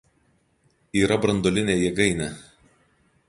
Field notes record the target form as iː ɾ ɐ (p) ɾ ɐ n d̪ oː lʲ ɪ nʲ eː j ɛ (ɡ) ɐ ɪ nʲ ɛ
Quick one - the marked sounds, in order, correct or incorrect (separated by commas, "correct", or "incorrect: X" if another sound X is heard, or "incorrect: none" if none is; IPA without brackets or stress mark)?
incorrect: b, correct